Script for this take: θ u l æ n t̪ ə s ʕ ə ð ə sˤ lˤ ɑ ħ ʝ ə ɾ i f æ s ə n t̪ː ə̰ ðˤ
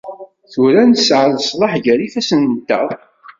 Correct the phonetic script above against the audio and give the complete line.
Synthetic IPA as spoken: θ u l æ n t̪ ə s ʕ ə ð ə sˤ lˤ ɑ ħ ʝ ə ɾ i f æ s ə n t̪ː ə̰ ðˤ